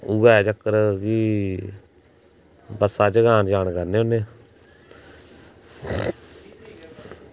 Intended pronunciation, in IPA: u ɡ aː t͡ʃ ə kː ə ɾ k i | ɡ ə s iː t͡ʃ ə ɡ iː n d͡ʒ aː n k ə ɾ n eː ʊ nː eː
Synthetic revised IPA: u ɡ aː t͡ʃ ə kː ə ɾ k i | b ə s aː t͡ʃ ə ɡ aː n d͡ʒ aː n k ə ɾ n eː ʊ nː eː

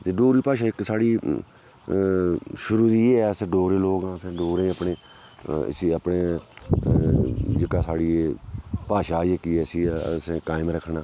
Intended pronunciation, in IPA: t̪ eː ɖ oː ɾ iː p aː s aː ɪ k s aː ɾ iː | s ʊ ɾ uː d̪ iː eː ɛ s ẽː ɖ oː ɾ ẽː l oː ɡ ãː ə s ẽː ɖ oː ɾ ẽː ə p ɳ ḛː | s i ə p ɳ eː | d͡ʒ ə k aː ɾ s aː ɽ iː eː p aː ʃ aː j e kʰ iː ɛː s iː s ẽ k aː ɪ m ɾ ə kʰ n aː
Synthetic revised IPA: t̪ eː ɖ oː ɾ iː p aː ʃ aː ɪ k s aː ɽ iː | ʃ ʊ ɾ uː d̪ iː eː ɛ s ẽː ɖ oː ɾ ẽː l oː ɡ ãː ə s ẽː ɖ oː ɾ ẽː ə p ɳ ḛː | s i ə p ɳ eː | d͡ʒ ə k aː s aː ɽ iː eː p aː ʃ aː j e k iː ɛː s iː s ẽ k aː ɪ m ɾ ə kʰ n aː

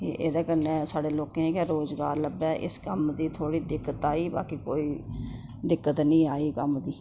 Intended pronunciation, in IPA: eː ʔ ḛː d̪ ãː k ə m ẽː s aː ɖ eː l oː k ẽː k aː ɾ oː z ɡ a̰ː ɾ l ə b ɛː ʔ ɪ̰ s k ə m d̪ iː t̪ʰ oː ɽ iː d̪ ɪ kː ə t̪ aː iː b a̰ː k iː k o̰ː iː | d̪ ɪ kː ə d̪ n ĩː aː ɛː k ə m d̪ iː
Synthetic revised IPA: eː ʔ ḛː d̪ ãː k ə n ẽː s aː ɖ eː l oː k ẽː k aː ɾ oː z ɡ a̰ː ɾ l ə b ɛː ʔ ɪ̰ s k ə m d̪ iː t̪ʰ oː ɽ iː d̪ ɪ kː ə t̪ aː iː b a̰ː k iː k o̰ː iː | d̪ ɪ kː ə t̪ n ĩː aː iː k ə m d̪ iː

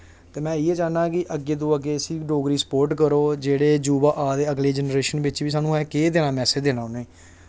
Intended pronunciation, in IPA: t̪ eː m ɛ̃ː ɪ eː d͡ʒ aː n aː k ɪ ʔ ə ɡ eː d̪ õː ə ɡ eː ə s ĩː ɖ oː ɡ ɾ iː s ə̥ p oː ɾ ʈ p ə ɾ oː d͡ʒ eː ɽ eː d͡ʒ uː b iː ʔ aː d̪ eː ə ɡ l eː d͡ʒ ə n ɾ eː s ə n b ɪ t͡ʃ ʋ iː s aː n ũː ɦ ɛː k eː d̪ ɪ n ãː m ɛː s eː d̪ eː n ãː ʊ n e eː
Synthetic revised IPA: t̪ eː m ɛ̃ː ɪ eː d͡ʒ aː n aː k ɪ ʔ ə ɡ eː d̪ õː ə ɡ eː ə s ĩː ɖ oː ɡ ɾ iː s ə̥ p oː ɾ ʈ k ə ɾ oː d͡ʒ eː ɽ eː d͡ʒ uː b aː ʔ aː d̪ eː ə ɡ l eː d͡ʒ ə n ɾ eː ʃ ə n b ɪ t͡ʃ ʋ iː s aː n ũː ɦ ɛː k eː d̪ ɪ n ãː m ɛː s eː d̪ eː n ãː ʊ n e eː

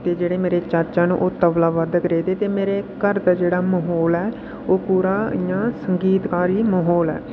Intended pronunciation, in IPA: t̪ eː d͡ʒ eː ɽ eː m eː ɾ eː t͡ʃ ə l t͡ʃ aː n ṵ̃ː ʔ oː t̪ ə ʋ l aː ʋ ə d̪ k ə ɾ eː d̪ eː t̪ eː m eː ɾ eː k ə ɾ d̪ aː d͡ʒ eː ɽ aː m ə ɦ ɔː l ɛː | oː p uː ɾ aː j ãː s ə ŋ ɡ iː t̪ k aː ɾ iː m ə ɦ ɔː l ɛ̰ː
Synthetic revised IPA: t̪ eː d͡ʒ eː ɽ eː m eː ɾ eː t͡ʃ ə ɾ t͡ʃ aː n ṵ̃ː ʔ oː t̪ ə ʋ l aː ʋ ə d̪ k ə ɾ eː d̪ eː t̪ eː m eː ɾ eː k ə ɾ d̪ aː d͡ʒ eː ɽ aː m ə ɦ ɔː l ɛː | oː p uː ɾ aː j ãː s ə ŋ ɡ iː t̪ k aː ɾ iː m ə ɦ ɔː l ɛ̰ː

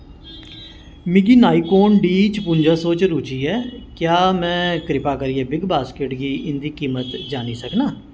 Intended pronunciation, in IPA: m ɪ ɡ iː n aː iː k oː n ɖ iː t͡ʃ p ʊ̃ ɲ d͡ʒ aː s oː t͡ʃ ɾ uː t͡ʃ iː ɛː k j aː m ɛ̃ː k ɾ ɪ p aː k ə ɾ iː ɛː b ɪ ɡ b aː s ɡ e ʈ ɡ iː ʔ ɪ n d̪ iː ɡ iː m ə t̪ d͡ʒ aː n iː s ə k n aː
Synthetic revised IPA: m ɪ ɡ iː n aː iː k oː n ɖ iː t͡ʃ p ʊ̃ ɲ d͡ʒ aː s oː t͡ʃ ɾ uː t͡ʃ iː ɛː k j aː m ɛ̃ː k ɾ ɪ p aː k ə ɾ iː ɛː b ɪ ɡ b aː s k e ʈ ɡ iː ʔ ɪ n d̪ iː k iː m ə t̪ d͡ʒ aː n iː s ə k n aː

